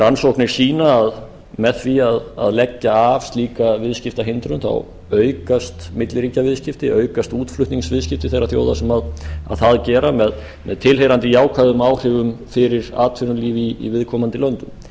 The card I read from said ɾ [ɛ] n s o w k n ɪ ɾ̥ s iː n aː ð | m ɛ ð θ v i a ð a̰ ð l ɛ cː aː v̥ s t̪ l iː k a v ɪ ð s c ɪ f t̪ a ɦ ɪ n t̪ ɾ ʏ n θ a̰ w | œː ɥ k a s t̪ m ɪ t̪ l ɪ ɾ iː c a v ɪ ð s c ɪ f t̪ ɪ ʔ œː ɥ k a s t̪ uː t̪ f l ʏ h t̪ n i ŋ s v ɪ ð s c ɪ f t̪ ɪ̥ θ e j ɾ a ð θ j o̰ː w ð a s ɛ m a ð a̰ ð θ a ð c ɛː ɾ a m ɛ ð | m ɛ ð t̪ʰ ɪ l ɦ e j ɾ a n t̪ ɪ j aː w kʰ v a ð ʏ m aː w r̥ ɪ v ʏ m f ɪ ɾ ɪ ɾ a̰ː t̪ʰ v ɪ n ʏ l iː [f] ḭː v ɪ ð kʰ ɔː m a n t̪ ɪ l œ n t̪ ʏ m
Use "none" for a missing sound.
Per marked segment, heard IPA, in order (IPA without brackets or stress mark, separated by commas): a, v